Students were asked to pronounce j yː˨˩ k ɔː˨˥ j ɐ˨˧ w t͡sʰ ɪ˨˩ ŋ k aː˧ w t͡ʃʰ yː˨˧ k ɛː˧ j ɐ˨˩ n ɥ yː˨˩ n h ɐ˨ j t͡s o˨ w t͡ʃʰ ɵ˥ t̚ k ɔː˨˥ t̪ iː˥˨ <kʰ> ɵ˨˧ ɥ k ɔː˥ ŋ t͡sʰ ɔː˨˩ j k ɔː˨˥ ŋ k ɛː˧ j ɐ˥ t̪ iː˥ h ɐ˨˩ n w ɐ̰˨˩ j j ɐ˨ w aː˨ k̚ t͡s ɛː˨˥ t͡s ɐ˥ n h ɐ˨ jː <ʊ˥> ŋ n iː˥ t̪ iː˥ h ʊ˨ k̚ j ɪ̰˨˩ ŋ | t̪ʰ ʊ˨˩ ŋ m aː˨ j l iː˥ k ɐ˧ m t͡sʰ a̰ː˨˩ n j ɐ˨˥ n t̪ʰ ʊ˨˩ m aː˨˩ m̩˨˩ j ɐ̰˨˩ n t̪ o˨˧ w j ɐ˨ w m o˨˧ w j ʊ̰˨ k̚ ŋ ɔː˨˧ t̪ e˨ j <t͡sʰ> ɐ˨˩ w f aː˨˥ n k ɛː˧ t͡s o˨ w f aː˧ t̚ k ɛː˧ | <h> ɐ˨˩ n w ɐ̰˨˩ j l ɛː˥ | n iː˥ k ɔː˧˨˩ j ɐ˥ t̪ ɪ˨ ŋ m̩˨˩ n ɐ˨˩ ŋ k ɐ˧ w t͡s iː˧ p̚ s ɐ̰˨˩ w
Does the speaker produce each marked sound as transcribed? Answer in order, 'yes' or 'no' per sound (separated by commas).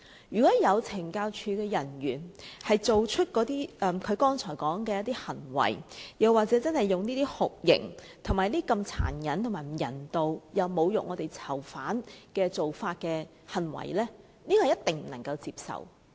yes, no, yes, yes